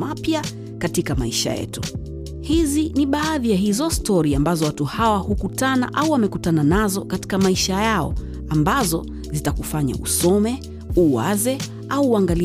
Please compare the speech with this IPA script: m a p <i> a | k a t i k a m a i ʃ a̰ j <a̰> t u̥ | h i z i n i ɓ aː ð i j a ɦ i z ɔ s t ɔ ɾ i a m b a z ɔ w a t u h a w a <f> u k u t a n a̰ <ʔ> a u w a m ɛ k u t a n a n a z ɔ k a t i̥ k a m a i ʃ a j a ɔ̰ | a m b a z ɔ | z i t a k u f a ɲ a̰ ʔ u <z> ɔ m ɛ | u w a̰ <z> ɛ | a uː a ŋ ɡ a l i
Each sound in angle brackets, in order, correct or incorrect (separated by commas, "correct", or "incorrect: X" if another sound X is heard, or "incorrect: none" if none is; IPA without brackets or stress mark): incorrect: j, incorrect: ɛ̰, incorrect: h, correct, incorrect: s, correct